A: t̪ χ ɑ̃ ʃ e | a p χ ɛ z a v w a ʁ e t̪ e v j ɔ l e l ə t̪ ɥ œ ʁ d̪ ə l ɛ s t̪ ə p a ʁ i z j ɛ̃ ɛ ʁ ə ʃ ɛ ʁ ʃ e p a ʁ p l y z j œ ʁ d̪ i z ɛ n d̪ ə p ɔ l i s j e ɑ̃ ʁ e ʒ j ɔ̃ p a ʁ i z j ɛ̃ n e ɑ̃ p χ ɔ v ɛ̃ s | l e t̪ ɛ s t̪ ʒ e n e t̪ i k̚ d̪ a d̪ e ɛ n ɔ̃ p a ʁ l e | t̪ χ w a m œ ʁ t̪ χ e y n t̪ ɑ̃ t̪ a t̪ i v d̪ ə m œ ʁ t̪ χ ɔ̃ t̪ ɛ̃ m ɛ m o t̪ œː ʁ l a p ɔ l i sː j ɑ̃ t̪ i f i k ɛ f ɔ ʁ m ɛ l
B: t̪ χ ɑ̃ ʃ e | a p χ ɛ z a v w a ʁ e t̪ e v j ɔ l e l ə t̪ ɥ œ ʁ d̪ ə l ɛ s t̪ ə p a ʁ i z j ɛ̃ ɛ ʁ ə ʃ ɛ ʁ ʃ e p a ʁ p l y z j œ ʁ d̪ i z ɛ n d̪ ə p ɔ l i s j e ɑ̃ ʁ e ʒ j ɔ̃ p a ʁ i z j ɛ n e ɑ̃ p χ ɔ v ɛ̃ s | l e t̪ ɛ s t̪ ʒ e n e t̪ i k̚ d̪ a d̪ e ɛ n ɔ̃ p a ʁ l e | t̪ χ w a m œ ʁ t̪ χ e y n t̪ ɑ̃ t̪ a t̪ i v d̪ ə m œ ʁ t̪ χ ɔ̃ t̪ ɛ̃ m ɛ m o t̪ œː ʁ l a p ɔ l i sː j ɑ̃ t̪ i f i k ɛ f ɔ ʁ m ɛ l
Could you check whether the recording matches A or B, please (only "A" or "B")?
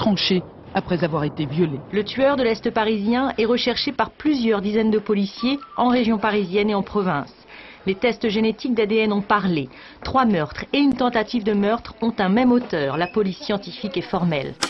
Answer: B